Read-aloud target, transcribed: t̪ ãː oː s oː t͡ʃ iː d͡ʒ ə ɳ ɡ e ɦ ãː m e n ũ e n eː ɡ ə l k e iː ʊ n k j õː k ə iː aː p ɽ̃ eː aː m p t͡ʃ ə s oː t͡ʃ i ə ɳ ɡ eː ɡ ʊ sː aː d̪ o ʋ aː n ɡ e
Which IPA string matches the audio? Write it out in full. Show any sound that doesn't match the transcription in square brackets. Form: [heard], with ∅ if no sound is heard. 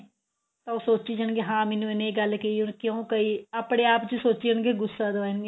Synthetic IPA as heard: t̪ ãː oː s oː t͡ʃ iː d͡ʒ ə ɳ ɡ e ɦ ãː m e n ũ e n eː ɡ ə l k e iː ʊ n k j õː k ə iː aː p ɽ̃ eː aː [∅] p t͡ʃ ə s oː t͡ʃ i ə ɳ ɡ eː ɡ ʊ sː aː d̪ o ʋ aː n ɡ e